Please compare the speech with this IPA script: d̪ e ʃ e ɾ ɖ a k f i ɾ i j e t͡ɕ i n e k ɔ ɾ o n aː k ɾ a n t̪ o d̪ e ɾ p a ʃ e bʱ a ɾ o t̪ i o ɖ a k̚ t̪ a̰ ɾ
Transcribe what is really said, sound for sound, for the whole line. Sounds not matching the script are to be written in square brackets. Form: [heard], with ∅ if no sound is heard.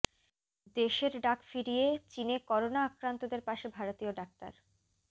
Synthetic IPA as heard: d̪ e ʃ e ɾ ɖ a k f i ɾ i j e t͡ɕ i n e k ɔ ɾ o n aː k ɾ a n t̪ o d̪ e ɾ p a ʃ e bʱ a ɾ o t̪ i o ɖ a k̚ t̪ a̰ ɾ